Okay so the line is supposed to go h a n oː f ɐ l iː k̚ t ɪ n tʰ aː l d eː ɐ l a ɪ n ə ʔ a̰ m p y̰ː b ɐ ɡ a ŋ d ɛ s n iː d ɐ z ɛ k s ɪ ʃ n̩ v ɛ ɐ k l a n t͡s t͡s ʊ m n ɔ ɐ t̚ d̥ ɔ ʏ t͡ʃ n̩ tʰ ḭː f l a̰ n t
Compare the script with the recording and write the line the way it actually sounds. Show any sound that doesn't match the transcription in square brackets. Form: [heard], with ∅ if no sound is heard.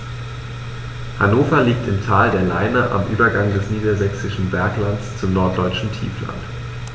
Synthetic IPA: h a n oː f ɐ l iː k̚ t ɪ [m] tʰ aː l d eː ɐ l a ɪ n ə ʔ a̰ m [ʔ] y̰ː b ɐ ɡ a ŋ d ɛ s n iː d ɐ z ɛ k s ɪ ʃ n̩ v ɛ ɐ k l a n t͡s t͡s ʊ m n ɔ ɐ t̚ d̥ ɔ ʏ t͡ʃ n̩ tʰ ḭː f l a̰ n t